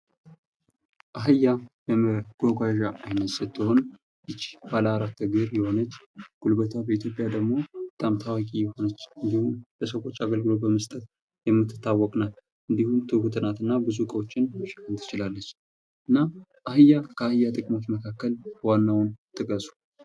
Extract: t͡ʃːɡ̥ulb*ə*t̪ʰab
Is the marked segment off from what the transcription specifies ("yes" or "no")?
no